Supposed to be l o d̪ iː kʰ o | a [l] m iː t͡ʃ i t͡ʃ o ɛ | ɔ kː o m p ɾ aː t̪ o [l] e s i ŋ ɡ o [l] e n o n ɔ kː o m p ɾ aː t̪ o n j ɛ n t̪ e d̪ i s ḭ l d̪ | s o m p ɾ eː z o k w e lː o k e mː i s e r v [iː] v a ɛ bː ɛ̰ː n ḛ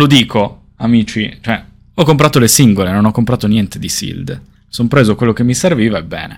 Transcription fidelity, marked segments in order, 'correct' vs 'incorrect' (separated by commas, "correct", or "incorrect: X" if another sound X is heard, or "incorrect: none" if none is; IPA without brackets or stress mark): incorrect: none, correct, correct, correct